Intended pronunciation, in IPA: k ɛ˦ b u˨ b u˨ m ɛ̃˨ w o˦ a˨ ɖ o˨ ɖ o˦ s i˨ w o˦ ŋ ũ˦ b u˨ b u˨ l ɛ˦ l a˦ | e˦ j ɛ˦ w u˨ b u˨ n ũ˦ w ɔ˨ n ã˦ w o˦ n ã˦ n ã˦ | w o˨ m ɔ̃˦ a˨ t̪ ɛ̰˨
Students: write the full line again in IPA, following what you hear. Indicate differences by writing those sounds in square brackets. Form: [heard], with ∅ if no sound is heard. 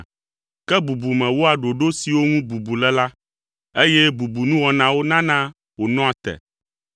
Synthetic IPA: k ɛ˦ b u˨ b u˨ m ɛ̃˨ w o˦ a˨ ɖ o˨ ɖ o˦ s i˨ w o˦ ŋ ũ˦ b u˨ b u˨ l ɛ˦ l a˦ | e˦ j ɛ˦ [b] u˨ b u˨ n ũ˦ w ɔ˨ n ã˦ w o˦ n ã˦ n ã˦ | w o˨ [n] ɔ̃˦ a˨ t̪ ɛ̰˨

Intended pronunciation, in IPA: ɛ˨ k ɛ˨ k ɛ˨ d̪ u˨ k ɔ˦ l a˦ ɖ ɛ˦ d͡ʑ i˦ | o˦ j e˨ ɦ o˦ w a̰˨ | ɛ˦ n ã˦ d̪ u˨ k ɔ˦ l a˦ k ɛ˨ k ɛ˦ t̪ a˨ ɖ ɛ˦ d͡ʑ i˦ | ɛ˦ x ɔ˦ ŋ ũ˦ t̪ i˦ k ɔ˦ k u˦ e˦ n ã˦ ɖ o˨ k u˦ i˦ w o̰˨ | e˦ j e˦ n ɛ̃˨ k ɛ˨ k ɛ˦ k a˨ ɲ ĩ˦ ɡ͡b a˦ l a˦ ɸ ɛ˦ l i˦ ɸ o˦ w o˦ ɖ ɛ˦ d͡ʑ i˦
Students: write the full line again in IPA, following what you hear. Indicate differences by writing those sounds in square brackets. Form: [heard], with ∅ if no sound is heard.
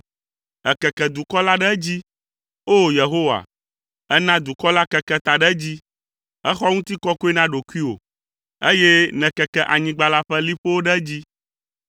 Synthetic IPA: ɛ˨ k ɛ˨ k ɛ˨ d̪ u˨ k ɔ˦ l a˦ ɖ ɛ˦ d͡ʑ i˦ | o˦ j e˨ ɦ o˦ w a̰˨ | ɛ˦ n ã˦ d̪ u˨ k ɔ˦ l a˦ k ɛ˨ k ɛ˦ t̪ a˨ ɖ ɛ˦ d͡ʑ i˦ | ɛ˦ x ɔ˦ ŋ ũ˦ t̪ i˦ k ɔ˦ k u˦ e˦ n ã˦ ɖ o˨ k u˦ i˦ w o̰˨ | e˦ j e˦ n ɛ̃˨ k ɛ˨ k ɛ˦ [ʔ] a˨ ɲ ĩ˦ ɡ͡b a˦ l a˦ ɸ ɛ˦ l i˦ ɸ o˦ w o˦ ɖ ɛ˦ d͡ʑ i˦

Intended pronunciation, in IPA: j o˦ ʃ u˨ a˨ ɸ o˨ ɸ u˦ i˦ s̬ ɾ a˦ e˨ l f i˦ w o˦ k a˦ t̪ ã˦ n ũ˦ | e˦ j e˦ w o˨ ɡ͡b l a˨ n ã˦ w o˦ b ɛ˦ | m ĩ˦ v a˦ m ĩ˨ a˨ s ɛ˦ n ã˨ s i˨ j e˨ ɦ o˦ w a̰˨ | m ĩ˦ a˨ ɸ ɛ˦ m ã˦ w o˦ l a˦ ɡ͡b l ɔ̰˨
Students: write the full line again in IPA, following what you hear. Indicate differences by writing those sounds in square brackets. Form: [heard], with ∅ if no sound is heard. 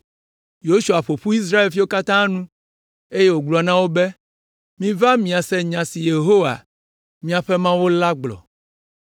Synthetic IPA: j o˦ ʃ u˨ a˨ ɸ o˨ ɸ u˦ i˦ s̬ ɾ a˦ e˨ l f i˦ w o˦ k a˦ t̪ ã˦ n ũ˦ | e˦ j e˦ w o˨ ɡ͡b l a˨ n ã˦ w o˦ b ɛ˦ | m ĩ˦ v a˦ m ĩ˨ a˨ s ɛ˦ [ɲ] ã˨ s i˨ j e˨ ɦ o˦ w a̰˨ | m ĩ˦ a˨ ɸ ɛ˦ m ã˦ w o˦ l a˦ ɡ͡b l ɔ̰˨

